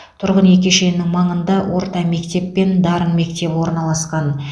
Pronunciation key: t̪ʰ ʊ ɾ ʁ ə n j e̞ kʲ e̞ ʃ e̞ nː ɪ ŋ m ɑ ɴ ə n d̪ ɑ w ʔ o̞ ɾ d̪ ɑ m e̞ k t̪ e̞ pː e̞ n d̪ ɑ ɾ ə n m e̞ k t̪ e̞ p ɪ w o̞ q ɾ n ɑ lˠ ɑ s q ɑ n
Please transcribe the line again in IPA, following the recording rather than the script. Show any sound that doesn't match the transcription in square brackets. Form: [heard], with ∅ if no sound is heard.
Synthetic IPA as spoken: t̪ʰ ʊ ɾ ʁ ə n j e̞ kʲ e̞ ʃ e̞ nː ɪ ŋ m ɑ ɴ ə n d̪ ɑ w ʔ o̞ ɾ [t̪] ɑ m e̞ k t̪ e̞ pː e̞ n d̪ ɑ ɾ ə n m e̞ k t̪ e̞ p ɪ w o̞ [∅] ɾ n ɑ lˠ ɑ s q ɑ n